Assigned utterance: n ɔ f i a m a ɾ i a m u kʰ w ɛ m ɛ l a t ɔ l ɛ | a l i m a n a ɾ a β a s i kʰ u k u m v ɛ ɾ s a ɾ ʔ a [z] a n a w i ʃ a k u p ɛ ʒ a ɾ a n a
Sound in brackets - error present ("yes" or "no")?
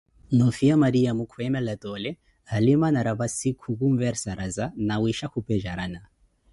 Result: no